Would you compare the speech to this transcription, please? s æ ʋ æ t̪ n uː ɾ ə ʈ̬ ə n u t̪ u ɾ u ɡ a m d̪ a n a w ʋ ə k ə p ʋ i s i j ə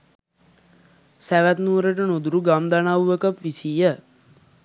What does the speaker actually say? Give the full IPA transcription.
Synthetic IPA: s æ ʋ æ t̪ n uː ɾ ə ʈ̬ ə n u d̪ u ɾ u ɡ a m d̪ a n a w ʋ ə k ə p ʋ i s i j ə